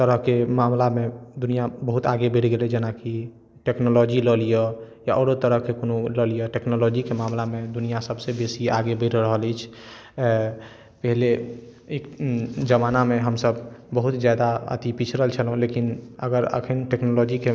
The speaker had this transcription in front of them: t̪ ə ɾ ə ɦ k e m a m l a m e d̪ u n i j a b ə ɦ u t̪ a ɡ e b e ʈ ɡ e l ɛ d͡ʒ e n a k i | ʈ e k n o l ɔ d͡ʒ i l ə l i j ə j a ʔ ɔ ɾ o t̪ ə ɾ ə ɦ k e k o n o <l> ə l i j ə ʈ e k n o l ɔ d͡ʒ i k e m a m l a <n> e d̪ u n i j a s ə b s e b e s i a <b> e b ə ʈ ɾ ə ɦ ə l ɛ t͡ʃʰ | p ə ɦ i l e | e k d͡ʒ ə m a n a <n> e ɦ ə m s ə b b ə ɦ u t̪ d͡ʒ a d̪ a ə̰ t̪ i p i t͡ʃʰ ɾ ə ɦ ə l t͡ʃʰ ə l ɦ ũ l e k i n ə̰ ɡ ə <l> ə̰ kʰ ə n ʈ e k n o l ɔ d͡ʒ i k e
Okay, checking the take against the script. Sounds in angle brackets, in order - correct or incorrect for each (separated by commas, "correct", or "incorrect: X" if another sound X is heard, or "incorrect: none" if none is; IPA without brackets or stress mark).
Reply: correct, incorrect: m, incorrect: ɡ, incorrect: m, incorrect: ɾ